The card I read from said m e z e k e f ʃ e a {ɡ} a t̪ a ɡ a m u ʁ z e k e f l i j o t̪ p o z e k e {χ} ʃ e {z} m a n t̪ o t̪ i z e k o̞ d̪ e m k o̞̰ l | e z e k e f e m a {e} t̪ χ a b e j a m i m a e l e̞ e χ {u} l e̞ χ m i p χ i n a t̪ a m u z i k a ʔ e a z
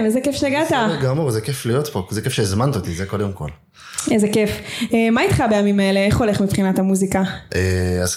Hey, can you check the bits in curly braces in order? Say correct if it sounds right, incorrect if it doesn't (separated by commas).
correct, incorrect, correct, incorrect, incorrect